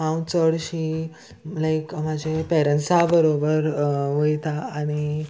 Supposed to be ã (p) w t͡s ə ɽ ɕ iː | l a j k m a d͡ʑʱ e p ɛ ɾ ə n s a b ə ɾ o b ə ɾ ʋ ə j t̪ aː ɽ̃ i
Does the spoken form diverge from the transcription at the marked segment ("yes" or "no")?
yes